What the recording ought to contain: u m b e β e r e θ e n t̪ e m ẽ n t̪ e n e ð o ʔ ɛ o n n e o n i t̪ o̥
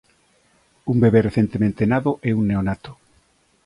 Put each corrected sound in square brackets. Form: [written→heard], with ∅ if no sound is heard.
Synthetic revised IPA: u m b e β e r e θ e n t̪ e m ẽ n t̪ e n [e→a] ð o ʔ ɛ [o→u] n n e o n [i→a] t̪ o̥